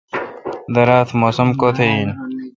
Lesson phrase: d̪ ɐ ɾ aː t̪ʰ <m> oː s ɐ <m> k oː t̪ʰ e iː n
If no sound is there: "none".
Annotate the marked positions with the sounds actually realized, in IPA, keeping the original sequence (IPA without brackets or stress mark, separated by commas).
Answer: m, m